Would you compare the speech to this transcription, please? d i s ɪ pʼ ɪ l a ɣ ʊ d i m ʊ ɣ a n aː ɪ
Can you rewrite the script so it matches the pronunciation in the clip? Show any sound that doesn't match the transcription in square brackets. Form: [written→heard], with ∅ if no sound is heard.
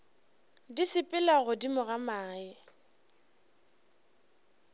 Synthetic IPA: d i s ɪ pʼ ɪ l a ɣ ʊ d i m ʊ ɣ a [n→m] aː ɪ